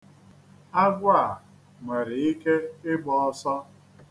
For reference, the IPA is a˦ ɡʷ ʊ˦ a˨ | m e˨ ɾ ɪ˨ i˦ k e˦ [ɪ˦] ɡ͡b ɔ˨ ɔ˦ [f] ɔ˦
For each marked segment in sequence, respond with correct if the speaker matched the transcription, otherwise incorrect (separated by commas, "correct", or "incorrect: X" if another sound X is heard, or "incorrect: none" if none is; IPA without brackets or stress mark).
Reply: correct, incorrect: s